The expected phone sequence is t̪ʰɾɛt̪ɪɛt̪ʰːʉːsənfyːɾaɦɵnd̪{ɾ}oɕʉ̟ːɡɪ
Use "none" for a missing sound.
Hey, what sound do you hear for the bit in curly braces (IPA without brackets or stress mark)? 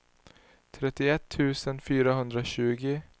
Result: ɾ